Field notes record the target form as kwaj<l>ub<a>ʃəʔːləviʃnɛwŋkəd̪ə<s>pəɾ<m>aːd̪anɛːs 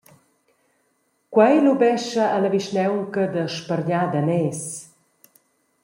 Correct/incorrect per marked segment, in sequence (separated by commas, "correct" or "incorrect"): correct, incorrect, incorrect, incorrect